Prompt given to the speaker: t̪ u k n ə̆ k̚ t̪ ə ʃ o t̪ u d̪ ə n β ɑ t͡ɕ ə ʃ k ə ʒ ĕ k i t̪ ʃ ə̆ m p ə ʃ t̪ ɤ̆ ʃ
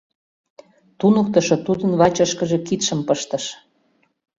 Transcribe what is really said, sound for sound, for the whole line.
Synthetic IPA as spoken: t̪ u n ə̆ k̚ t̪ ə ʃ o t̪ u d̪ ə n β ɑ t͡ɕ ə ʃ k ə ʒ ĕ k i t̪ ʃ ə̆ m p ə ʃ t̪ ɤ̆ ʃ